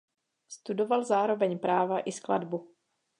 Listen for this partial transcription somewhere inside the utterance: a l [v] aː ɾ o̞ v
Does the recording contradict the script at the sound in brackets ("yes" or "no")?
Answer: yes